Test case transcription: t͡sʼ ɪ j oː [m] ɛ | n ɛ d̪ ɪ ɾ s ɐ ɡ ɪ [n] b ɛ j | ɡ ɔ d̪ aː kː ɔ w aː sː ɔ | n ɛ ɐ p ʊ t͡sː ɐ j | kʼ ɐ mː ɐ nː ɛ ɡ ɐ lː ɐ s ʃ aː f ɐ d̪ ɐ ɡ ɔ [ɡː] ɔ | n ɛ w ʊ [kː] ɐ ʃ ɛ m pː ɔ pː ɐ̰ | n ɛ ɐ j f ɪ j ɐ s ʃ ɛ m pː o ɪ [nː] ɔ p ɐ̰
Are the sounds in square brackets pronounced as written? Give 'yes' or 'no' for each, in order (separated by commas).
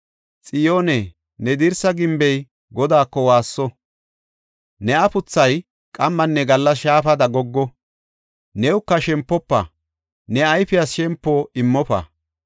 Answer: no, no, yes, yes, no